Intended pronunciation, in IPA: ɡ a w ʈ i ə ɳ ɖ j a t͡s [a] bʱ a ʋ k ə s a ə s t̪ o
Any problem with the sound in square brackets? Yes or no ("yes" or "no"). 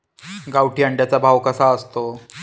no